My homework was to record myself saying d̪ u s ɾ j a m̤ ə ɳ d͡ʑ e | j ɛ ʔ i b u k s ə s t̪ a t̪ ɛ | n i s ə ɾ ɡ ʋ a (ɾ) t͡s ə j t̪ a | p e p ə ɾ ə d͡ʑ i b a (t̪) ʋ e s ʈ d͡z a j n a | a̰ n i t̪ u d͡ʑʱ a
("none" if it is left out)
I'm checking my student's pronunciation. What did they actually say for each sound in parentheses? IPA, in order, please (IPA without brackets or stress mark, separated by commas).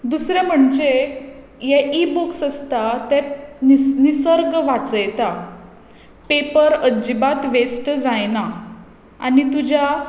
none, t̪